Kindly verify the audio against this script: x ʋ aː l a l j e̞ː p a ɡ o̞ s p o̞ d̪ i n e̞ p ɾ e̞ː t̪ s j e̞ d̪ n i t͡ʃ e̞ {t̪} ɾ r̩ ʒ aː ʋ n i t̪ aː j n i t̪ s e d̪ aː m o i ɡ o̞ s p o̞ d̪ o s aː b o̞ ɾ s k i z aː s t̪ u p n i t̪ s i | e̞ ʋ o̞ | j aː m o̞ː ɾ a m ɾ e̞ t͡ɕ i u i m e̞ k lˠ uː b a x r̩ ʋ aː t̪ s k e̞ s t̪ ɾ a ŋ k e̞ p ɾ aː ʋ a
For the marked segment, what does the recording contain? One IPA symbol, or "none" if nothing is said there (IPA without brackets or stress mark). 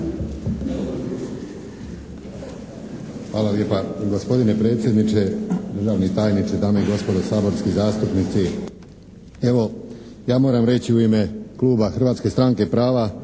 d̪